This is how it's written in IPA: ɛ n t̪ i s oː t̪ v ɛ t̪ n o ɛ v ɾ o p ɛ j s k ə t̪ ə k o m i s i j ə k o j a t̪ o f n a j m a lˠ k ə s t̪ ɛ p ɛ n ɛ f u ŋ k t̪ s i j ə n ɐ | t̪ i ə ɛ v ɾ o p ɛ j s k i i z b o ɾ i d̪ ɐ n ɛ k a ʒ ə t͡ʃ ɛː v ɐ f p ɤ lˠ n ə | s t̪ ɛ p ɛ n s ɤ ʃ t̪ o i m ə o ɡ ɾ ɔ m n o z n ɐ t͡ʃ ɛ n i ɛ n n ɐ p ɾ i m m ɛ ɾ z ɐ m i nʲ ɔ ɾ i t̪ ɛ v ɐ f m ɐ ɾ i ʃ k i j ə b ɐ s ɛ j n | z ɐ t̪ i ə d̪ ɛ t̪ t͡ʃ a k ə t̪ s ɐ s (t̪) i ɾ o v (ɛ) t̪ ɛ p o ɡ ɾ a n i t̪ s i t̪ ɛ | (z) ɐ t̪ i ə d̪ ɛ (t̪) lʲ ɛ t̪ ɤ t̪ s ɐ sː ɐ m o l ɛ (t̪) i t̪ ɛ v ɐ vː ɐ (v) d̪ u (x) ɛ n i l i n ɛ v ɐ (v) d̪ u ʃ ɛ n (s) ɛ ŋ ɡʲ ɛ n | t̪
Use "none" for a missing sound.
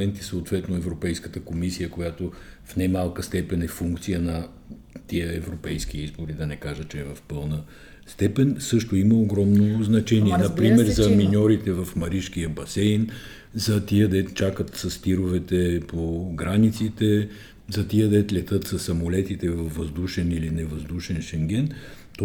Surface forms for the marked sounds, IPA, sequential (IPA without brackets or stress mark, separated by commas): t̪, ɛ, z, t̪, t̪, z, ʃ, z, ʃ